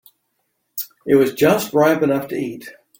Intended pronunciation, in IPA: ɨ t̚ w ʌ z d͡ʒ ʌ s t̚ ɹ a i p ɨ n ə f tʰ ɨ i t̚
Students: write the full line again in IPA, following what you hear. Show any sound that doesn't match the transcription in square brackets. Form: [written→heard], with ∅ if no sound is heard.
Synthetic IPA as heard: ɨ t̚ w ʌ z d͡ʒ ʌ s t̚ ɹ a [i→ɪ] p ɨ n [ə→ʌ] f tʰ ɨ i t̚

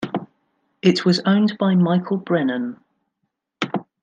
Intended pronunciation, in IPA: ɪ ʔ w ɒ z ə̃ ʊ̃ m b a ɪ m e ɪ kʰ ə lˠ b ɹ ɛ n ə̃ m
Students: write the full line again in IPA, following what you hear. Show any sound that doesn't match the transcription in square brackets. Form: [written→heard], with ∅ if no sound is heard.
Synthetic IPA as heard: ɪ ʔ w ɒ z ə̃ ʊ̃ [m→n] b a ɪ m [e→a] ɪ kʰ ə lˠ b ɹ ɛ n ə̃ [m→n]

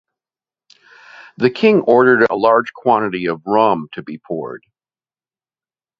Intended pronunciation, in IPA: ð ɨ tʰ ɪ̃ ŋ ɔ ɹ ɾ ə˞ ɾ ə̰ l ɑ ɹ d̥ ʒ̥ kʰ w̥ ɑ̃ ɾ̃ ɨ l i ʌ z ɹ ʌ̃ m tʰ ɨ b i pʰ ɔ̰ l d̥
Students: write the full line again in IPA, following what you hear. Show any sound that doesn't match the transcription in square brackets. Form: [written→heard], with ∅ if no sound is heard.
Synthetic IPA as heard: ð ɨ [tʰ→kʰ] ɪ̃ ŋ ɔ ɹ ɾ ə˞ ɾ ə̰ l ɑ ɹ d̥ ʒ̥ kʰ w̥ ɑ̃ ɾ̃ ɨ [l→ɾ] i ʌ [z→v] ɹ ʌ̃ m tʰ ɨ b i pʰ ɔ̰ [l→ɹ] d̥

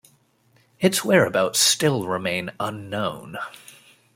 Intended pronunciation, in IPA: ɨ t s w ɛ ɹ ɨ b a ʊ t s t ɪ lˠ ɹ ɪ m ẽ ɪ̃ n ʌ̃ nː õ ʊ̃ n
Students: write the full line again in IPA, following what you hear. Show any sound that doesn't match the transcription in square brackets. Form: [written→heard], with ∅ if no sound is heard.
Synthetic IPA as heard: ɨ t s w ɛ ɹ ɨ b a ʊ t s t ɪ lˠ ɹ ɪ m ẽ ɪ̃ n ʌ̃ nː õ ʊ̃ n

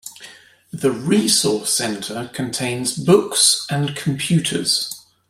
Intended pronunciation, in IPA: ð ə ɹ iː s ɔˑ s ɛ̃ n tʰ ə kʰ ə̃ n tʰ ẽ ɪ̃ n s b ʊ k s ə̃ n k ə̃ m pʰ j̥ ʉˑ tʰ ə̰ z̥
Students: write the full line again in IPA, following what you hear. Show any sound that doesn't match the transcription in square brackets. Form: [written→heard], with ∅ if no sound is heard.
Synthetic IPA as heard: ð ə ɹ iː s ɔˑ s ɛ̃ n tʰ ə kʰ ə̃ n tʰ ẽ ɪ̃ n [s→z] b ʊ k s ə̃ n [k→kʰ] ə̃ m pʰ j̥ ʉˑ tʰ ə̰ z̥

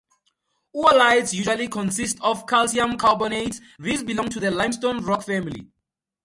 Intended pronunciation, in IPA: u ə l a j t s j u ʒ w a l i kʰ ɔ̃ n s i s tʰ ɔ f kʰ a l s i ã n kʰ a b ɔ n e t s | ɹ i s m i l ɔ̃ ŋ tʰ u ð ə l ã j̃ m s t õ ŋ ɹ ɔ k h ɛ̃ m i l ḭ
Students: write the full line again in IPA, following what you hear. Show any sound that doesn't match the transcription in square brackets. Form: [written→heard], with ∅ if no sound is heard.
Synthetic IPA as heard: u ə l a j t s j u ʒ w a l i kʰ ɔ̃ n s i s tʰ ɔ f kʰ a l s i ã [n→m] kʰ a b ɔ n e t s | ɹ i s [m→b] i l ɔ̃ ŋ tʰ u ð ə l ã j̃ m s t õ [ŋ→n] ɹ ɔ k [h→f] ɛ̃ m i l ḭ

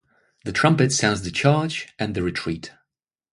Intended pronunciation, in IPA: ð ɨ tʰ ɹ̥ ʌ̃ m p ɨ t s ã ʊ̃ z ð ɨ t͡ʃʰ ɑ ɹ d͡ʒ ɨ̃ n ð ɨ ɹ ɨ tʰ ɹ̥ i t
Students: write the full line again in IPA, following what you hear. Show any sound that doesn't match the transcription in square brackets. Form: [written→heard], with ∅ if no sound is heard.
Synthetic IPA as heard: ð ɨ tʰ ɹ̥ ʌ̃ m p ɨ t s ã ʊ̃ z ð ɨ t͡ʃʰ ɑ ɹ d͡ʒ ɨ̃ n ð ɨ ɹ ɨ tʰ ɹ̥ i t

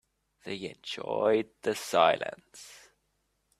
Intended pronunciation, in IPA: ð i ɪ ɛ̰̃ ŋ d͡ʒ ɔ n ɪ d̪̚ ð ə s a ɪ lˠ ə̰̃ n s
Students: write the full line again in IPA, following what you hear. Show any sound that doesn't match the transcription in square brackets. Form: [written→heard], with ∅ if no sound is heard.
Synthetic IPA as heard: ð [i→e] ɪ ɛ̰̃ [ŋ→n] d͡ʒ ɔ [n→∅] ɪ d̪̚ ð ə s a ɪ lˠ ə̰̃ n s

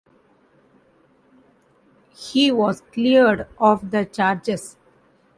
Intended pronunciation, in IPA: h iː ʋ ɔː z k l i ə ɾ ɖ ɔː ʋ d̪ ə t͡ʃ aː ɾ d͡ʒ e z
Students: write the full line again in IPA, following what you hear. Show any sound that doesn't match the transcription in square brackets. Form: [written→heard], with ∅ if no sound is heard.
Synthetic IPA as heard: h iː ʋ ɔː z k l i ə ɾ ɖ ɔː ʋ d̪ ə t͡ʃ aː ɾ d͡ʒ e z

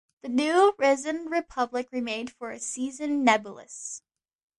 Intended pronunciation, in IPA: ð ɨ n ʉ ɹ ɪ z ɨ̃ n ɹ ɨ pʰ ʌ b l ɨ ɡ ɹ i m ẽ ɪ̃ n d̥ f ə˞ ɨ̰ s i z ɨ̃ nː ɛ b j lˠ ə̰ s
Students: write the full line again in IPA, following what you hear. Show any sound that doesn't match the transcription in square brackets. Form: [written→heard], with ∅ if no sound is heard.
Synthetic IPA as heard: ð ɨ n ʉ ɹ ɪ z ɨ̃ n ɹ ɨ pʰ ʌ b l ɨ [ɡ→k] ɹ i m ẽ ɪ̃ n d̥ f ə˞ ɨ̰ s i z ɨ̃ nː ɛ b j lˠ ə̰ s

